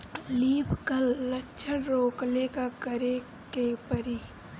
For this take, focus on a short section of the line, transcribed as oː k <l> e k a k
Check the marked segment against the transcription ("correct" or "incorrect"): correct